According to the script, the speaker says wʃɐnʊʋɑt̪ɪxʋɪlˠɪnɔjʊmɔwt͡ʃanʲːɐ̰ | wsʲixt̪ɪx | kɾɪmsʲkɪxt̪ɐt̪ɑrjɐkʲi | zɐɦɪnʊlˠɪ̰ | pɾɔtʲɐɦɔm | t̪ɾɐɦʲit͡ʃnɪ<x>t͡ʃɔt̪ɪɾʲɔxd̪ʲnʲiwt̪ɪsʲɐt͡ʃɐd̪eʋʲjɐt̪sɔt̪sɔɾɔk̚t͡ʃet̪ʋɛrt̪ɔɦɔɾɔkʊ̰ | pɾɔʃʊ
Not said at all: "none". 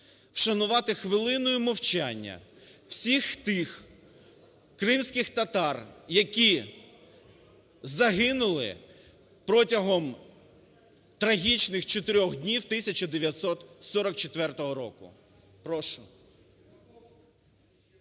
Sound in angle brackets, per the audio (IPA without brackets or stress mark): x